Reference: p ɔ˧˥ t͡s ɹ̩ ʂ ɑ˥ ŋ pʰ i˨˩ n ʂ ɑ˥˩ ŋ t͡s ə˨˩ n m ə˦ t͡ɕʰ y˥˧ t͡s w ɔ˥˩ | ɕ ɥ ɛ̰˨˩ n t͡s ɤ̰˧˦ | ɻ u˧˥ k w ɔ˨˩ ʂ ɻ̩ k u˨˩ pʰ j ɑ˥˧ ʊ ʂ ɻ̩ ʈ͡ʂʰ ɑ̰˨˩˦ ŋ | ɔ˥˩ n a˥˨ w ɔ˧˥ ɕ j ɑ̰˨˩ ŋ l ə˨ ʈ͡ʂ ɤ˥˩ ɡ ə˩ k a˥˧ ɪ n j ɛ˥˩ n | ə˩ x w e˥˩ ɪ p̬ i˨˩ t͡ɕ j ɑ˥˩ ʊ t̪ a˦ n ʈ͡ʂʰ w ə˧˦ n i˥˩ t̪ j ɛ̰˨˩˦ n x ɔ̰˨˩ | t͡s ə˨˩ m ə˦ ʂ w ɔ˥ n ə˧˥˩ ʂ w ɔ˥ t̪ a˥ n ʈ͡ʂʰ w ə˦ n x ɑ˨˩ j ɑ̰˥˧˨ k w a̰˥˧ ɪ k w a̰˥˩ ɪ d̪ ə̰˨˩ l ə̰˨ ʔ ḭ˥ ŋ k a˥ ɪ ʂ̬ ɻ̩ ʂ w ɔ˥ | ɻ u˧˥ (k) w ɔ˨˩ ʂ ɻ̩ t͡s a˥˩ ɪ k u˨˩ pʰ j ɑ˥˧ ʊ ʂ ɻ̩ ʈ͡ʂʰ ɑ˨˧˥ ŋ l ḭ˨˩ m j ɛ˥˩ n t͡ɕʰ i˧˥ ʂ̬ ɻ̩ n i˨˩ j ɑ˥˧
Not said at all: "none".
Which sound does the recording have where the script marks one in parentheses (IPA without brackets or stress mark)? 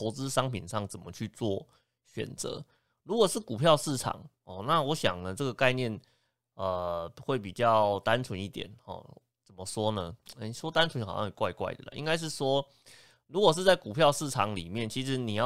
k